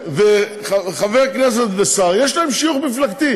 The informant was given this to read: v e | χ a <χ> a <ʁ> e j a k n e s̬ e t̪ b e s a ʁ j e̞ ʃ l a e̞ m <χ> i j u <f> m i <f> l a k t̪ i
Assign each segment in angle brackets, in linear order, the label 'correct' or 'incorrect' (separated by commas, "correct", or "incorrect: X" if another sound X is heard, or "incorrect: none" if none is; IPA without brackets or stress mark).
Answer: correct, incorrect: v, incorrect: ʃ, incorrect: χ, correct